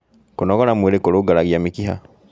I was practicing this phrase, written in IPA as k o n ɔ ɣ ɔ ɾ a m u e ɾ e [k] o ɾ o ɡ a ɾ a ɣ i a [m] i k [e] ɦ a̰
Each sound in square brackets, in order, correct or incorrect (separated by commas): correct, correct, incorrect